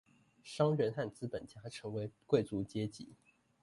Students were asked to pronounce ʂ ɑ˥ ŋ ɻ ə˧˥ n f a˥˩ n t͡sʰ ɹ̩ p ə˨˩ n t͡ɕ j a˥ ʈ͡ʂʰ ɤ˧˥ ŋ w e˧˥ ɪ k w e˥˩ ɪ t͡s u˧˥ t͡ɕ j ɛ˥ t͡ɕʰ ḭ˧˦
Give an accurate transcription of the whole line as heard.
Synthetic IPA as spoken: ʂ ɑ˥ ŋ ɻ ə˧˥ n x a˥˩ n t͡s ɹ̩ p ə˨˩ n t͡ɕ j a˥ ʈ͡ʂʰ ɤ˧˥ ŋ w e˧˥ ɪ k w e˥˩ ɪ t͡s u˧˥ t͡ɕ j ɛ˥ t͡ɕ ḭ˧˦